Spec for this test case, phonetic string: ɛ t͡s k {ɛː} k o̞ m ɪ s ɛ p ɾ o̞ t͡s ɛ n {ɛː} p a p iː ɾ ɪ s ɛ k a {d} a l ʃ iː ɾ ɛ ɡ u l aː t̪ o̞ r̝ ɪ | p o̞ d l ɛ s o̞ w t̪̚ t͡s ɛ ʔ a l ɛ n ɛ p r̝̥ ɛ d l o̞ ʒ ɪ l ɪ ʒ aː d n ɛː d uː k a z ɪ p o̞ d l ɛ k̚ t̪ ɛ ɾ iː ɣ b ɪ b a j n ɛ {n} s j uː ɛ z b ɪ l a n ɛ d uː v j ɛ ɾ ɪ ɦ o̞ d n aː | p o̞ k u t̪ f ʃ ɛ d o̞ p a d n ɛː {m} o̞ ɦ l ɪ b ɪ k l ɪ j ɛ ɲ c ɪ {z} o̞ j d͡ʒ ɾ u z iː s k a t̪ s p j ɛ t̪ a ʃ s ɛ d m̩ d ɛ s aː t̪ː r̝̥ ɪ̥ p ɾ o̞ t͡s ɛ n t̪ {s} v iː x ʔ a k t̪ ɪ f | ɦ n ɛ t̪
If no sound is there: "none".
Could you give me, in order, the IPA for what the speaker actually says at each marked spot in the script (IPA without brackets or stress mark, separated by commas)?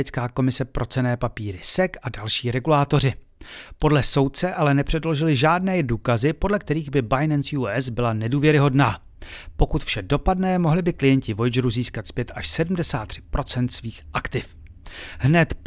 aː, ɛː, d, n, m, v, s